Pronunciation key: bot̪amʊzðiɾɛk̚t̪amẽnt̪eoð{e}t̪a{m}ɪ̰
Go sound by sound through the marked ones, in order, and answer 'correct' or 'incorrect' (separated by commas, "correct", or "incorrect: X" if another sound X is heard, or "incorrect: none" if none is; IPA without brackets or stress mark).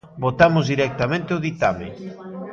incorrect: i, correct